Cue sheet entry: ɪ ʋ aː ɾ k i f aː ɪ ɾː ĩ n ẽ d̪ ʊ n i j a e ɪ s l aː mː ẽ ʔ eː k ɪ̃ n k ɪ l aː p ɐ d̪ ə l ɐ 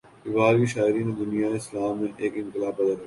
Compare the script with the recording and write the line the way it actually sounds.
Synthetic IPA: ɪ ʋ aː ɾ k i ʃ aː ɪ ɾ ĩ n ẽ d̪ ʊ n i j a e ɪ s l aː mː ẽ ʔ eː k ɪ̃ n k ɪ l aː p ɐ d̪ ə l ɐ